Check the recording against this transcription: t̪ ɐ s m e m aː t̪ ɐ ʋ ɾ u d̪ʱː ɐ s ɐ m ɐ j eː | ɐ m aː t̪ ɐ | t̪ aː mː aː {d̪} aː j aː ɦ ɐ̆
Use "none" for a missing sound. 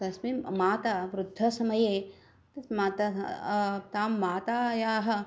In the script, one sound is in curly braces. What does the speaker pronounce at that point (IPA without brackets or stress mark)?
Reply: t̪